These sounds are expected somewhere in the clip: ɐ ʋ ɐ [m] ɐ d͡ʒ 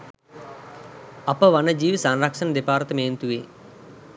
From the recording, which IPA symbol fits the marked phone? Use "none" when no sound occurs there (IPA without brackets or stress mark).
n